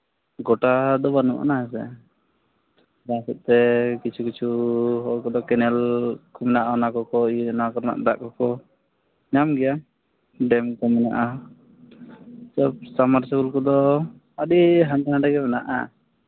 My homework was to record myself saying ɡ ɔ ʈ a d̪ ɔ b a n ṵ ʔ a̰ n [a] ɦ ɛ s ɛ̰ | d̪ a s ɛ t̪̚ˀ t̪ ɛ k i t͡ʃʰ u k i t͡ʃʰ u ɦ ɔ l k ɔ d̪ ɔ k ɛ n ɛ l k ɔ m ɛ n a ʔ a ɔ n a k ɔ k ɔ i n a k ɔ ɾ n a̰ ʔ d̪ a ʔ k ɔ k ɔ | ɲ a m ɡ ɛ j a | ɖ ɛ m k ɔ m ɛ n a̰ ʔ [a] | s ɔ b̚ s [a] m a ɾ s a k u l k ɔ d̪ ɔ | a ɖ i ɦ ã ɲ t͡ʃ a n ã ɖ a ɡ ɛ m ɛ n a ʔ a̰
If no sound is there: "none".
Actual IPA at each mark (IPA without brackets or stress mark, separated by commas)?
a, a, a